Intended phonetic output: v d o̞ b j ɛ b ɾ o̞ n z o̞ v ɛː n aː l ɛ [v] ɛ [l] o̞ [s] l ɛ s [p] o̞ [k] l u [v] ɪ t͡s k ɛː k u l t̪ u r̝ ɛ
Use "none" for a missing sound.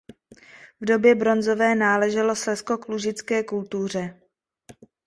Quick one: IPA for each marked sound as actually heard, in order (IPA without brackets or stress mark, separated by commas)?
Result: ʒ, l, s, k, k, ʒ